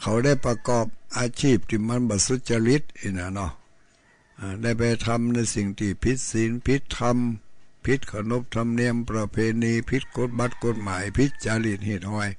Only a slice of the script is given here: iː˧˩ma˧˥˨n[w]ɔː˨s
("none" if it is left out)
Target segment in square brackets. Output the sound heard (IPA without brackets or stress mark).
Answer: b